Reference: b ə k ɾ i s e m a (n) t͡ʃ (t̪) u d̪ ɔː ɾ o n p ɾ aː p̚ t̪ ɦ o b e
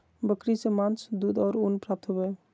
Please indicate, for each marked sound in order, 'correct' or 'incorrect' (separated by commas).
correct, incorrect